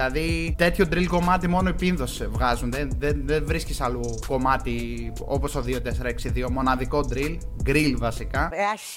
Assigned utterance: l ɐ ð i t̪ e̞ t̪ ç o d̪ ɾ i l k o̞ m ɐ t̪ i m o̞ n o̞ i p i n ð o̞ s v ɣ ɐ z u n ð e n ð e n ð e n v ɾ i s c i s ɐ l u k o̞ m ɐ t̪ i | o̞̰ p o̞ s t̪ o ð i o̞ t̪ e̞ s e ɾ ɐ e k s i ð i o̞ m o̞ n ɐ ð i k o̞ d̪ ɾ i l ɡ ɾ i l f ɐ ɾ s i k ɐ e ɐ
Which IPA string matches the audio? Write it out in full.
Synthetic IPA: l ɐ ð i t̪ e̞ t̪ ç o d̪ ɾ i l k o̞ m ɐ t̪ i m o̞ n o̞ i p i n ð o̞ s v ɣ ɐ z u n ð e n ð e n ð e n v ɾ i s c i s ɐ l u k o̞ m ɐ t̪ i | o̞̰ p o̞ s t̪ o ð i o̞ t̪ e̞ s e ɾ ɐ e k s i ð i o̞ m o̞ n ɐ ð i k o̞ d̪ ɾ i l ɡ ɾ i l v ɐ s i k ɐ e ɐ